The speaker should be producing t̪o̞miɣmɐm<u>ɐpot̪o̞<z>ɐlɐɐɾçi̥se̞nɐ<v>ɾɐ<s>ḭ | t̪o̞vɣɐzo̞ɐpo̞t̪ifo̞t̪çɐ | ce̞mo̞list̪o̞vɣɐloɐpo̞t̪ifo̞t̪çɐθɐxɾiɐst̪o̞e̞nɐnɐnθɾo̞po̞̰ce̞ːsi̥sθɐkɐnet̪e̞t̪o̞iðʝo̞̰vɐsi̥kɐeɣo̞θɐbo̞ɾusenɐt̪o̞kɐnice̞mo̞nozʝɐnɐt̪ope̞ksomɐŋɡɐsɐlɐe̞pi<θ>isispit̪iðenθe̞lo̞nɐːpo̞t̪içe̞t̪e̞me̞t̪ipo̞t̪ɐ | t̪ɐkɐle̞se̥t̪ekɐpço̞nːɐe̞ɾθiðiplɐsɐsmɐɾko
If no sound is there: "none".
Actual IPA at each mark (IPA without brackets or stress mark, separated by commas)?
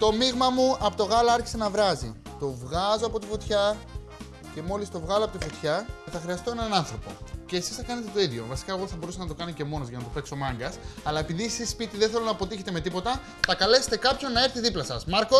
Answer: u, ɣ, v, z, ð